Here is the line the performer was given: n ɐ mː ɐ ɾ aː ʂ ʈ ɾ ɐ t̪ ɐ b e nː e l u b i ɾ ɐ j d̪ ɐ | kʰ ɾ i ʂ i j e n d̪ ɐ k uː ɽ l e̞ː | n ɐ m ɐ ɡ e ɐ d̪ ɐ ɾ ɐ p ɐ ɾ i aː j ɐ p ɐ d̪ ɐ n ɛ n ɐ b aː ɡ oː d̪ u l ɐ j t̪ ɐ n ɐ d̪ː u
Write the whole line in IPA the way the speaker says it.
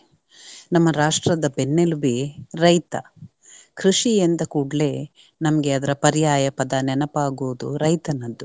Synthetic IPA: n ɐ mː ɐ ɾ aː ʂ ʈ ɾ ɐ d̪ ɐ b e nː e l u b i ɾ ɐ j t̪ ɐ | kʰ ɾ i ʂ i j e n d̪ ɐ k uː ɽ l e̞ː | n ɐ m ɐ ɡ e ɐ d̪ ɐ ɾ ɐ p ɐ ɾ j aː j ɐ p ɐ d̪ ɐ n ɛ n ɐ p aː ɡ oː d̪ u ɾ ɐ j t̪ ɐ n ɐ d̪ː u